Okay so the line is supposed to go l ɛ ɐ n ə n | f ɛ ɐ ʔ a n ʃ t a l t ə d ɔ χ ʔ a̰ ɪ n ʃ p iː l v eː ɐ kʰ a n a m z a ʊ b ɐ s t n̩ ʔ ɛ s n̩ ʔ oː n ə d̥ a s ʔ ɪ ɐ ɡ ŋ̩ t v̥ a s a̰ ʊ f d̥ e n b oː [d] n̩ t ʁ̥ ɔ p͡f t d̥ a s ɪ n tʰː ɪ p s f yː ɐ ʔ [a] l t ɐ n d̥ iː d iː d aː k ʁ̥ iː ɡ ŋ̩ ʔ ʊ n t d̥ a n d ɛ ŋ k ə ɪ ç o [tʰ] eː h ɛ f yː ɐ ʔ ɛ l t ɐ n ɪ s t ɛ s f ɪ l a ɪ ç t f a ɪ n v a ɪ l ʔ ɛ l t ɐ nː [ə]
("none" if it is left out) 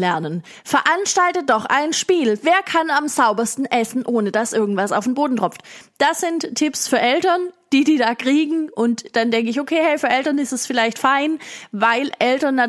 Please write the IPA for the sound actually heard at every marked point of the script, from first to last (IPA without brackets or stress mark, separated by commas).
d, ɛ, kʰ, a